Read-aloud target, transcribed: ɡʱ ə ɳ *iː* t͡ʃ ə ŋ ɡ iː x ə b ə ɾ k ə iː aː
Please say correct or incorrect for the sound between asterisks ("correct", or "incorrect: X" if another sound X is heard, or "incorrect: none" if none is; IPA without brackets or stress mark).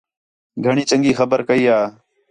correct